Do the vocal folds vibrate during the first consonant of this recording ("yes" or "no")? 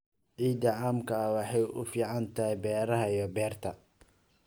yes